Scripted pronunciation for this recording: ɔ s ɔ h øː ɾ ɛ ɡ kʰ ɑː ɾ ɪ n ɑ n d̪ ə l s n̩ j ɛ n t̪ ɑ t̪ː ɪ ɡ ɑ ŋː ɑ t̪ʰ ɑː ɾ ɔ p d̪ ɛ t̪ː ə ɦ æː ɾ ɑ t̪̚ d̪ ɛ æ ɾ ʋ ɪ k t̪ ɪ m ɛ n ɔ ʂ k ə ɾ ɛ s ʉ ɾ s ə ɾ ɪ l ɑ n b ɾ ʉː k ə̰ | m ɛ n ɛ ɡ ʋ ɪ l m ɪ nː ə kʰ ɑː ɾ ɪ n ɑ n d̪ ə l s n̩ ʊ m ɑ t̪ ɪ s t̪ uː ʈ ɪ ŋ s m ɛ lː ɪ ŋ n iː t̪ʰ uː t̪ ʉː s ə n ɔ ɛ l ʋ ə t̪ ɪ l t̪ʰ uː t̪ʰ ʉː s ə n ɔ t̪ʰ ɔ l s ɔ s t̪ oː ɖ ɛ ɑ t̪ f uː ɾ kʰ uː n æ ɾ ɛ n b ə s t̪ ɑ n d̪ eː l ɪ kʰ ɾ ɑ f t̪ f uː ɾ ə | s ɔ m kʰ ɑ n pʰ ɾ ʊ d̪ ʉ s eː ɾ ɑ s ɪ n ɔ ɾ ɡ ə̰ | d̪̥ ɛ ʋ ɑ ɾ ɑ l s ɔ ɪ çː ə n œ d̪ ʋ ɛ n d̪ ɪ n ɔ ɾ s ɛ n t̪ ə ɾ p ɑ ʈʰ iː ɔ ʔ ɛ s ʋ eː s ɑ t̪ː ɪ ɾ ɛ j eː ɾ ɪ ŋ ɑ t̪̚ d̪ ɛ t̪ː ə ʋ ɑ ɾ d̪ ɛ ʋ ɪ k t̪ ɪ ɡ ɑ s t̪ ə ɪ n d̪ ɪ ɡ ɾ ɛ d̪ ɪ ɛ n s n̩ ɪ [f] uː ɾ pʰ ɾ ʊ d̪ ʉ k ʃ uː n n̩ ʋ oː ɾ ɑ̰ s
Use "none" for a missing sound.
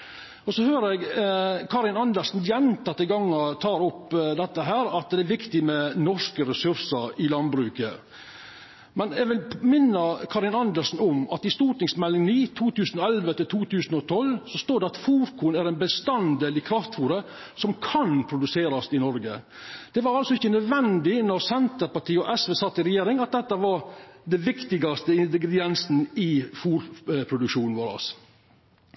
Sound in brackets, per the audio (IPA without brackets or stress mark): f